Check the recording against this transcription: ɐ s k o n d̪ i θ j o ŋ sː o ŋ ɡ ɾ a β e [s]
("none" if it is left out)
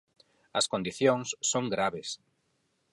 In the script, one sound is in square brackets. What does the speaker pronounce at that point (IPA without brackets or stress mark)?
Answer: s